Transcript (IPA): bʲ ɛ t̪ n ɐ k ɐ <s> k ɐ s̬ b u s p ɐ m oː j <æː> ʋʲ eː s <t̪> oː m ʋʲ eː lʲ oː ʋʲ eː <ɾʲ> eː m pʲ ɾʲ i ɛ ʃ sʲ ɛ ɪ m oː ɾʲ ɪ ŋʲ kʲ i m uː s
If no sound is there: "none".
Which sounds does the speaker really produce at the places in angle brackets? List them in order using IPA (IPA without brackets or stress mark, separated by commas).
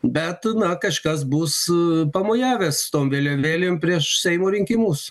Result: ʃ, æː, t̪, lʲ